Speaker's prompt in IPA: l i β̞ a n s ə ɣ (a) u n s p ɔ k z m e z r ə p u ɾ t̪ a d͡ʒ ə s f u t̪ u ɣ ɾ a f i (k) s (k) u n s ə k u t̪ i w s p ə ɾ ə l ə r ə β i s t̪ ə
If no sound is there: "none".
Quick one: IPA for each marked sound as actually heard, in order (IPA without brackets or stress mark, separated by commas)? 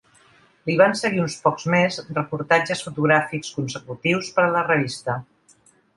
i, k, k